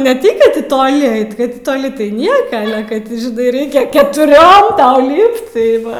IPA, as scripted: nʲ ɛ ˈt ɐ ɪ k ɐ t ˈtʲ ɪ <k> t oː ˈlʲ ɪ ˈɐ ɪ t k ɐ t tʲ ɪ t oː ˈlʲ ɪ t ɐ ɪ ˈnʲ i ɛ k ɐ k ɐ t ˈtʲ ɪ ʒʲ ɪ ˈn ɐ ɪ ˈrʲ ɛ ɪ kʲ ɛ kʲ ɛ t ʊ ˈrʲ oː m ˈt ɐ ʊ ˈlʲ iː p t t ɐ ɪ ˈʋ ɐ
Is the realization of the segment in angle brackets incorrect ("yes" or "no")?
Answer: yes